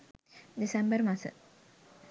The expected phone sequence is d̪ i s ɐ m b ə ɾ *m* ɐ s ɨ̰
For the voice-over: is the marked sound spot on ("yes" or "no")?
yes